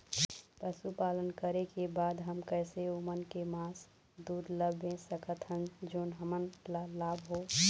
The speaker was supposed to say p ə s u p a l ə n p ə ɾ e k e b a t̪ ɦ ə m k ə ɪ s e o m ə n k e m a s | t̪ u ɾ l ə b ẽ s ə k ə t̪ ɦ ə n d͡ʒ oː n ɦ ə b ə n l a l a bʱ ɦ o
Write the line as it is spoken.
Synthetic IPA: p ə s u p a l ə n k ə ɾ e k e b a d̪ ɦ ə m k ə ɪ s e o m ə n k e m a s | d̪ u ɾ l ə b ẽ s ə k ə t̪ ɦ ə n d͡ʒ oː n ɦ ə m ə n l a l a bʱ ɦ o